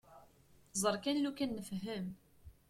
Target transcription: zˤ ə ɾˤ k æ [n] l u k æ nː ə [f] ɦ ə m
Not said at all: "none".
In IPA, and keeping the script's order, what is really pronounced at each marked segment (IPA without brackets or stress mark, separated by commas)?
n, f